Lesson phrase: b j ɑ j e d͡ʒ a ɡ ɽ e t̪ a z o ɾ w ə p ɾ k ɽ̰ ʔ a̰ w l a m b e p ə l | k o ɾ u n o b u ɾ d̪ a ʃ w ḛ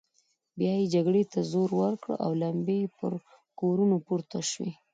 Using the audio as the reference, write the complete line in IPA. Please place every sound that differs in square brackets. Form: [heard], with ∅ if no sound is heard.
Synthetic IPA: b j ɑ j e d͡ʒ a ɡ ɽ e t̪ a z o ɾ w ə [∅] ɾ k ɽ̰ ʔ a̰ w l a m b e p ə [ɾ] | k o ɾ u n o [p] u ɾ [t̪] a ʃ w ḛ